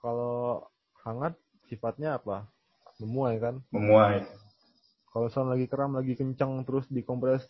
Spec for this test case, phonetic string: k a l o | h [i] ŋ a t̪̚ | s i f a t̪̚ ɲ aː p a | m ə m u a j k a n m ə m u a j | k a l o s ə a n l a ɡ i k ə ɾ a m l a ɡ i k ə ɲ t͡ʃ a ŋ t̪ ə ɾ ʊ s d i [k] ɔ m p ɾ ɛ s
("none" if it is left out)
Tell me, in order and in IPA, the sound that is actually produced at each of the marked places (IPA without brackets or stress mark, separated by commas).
a, k